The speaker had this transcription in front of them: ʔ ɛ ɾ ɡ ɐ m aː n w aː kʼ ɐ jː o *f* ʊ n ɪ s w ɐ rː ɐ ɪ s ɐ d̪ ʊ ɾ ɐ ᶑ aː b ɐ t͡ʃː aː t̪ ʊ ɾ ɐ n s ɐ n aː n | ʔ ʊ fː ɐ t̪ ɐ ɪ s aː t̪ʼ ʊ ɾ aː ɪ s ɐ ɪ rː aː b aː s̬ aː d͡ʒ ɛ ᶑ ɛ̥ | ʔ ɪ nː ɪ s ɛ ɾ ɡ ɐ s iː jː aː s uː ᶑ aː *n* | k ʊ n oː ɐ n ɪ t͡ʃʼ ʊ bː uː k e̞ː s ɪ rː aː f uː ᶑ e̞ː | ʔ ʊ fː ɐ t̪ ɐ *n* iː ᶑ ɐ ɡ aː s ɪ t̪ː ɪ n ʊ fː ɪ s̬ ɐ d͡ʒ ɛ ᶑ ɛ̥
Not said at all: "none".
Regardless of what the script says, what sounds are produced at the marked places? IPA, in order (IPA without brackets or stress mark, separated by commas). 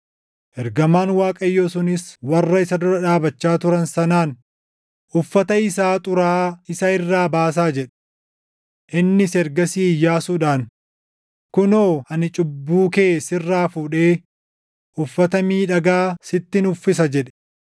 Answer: s, n, m